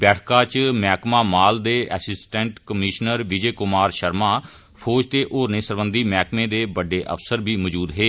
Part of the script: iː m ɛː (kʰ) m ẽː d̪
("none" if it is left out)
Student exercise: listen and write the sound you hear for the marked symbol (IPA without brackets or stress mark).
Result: k